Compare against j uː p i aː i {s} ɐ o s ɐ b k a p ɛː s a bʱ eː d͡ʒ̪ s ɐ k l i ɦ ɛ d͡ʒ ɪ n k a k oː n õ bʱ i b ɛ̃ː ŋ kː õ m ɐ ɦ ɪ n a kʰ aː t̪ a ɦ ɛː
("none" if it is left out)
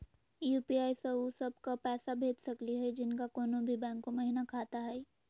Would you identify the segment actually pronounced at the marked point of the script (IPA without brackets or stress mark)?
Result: s